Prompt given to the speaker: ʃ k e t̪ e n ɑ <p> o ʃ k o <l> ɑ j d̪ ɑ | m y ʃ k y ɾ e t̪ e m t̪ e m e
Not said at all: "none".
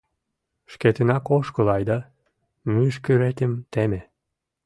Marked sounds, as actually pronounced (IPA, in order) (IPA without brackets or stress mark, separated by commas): k, l